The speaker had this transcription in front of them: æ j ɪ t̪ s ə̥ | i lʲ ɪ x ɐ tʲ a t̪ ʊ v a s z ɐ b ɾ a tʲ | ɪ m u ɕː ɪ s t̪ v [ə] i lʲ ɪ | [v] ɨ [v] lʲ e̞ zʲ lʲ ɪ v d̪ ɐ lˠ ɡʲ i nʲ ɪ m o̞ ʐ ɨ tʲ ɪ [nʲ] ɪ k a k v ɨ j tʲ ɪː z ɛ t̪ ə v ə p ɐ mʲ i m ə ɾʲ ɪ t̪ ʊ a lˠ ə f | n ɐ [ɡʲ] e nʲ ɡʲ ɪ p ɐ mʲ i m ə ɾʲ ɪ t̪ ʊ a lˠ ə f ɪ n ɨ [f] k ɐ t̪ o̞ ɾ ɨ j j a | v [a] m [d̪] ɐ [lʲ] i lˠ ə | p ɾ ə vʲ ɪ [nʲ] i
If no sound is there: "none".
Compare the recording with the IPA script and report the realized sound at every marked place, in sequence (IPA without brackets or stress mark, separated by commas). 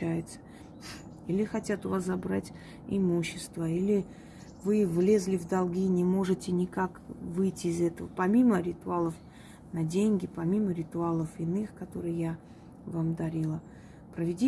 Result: ə, v, v, nʲ, dʲ, x, a, d̪, ɾʲ, dʲ